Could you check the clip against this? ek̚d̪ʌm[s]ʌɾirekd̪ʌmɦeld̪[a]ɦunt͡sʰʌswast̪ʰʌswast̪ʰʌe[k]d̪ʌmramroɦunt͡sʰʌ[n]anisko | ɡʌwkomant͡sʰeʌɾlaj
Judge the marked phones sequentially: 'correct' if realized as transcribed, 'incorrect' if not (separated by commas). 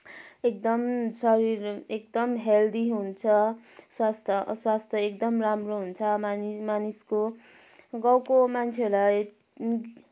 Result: correct, incorrect, correct, incorrect